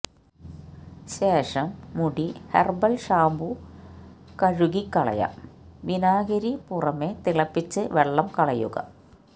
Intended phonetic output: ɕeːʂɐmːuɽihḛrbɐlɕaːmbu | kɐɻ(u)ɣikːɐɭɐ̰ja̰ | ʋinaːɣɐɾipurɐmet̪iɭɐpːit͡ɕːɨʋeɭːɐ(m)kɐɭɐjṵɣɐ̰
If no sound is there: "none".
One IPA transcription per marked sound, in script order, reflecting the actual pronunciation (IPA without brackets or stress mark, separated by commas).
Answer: u, m